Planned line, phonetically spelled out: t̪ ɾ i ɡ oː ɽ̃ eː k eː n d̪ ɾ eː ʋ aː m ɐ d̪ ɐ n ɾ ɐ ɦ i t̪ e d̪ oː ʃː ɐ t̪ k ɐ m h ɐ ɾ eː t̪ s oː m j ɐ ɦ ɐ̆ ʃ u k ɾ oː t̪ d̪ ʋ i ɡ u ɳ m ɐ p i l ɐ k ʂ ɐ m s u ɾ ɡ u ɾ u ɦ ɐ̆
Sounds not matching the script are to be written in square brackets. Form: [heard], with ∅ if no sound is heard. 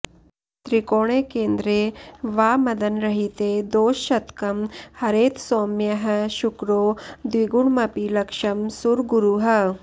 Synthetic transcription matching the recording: t̪ ɾ i [k] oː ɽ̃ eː k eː n d̪ ɾ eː ʋ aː m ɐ d̪ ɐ n ɾ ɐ ɦ i t̪ e d̪ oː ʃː ɐ t̪ k ɐ m h ɐ ɾ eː t̪ s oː m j ɐ ɦ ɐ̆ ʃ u k ɾ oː [∅] d̪ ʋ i ɡ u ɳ m ɐ p i l ɐ k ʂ ɐ m s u ɾ ɡ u ɾ u ɦ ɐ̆